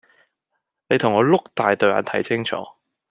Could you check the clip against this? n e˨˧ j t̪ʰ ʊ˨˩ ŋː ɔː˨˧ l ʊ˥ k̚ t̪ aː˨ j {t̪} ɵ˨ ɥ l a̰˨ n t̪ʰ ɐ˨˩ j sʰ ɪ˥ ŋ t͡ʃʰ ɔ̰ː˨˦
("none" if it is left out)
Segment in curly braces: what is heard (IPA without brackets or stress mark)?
t̪